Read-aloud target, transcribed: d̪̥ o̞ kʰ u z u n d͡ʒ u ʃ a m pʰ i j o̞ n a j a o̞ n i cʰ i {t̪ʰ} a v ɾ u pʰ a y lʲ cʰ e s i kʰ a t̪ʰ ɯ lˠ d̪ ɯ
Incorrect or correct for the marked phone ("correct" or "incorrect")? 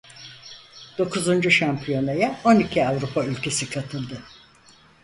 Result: incorrect